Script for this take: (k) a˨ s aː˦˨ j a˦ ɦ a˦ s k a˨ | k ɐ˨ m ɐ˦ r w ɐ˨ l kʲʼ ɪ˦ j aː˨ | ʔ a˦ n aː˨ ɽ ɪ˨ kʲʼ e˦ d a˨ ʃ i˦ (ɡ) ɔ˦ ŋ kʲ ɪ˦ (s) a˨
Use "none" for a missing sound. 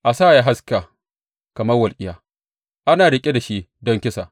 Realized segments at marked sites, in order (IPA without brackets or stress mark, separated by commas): ʔ, d, s